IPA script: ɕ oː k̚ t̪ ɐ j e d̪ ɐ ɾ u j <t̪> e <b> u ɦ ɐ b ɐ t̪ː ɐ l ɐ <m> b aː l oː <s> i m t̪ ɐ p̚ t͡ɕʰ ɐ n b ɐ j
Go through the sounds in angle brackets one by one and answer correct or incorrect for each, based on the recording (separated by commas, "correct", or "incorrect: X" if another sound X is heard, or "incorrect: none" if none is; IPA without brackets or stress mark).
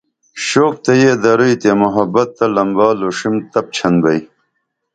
correct, incorrect: m, correct, incorrect: ʂ